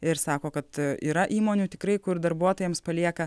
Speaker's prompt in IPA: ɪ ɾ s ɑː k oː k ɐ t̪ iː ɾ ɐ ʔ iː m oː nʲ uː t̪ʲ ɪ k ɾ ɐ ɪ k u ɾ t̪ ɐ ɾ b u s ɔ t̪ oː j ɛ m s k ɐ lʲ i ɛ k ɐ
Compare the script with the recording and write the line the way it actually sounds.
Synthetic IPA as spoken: ɪ ɾ s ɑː k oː k ɐ t̪ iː ɾ ɐ ʔ iː m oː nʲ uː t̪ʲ ɪ k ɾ ɐ ɪ k ʊ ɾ d̪ ɐ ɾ b u ɔ t̪ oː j ɛ m s p ɐ lʲ i ɛ k ɐ